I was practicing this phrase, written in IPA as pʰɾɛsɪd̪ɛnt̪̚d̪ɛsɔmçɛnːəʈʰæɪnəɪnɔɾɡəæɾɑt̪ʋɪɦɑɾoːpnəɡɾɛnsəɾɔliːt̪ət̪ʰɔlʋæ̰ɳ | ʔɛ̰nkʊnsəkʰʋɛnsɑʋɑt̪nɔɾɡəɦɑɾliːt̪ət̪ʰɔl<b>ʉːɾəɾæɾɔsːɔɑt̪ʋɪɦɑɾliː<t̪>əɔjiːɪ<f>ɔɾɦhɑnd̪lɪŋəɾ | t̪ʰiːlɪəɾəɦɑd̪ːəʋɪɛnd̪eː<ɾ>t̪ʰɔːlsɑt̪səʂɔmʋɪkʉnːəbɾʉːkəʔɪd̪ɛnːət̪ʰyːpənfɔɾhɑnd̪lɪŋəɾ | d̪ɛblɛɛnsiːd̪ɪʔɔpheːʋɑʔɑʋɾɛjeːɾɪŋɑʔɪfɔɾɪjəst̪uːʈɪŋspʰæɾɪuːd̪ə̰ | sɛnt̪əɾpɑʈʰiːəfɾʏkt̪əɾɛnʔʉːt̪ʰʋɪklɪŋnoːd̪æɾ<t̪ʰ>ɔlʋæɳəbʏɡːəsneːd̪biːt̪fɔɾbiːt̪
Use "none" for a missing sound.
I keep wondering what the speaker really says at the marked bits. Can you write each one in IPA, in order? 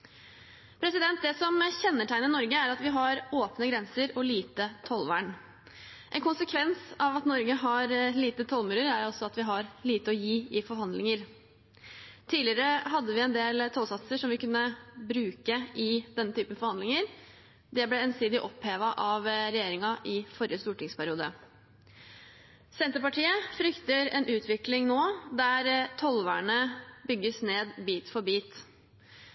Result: m, t̪, f, l, t̪ʰ

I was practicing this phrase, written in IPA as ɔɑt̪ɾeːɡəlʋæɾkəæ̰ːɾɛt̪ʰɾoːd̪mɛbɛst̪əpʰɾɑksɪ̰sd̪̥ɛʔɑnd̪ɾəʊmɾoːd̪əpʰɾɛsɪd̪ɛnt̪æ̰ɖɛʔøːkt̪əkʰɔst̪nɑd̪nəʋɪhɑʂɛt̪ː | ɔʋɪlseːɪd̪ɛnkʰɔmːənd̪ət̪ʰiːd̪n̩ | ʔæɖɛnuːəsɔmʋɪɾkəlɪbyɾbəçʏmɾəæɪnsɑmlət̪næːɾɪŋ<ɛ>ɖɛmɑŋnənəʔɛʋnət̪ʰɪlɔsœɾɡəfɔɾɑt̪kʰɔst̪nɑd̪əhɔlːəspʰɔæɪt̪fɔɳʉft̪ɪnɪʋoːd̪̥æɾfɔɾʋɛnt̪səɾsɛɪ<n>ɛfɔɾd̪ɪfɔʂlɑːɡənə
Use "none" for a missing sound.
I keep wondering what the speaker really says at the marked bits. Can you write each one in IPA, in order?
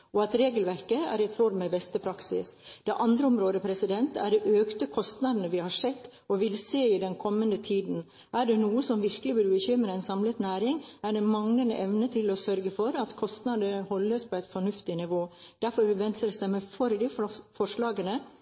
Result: æ, m

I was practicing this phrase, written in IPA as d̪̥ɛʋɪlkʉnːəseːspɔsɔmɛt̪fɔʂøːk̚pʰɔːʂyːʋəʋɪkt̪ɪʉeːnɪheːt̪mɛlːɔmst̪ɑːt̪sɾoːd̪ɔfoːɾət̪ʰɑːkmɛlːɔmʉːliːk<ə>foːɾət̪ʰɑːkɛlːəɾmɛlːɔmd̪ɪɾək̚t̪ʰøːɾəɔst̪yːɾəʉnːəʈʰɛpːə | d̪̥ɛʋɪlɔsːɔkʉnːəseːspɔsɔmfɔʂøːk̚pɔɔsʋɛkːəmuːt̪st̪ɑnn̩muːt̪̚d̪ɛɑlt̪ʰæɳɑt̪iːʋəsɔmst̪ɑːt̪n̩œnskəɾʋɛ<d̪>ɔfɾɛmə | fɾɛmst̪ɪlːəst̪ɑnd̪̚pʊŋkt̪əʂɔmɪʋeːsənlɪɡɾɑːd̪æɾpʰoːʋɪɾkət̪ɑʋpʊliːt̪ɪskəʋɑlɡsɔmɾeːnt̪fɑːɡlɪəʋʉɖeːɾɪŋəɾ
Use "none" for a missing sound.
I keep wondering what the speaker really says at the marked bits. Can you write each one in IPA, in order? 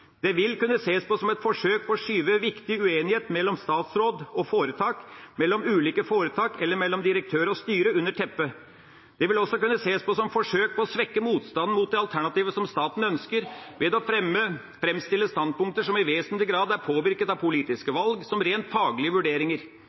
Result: ə, d̪

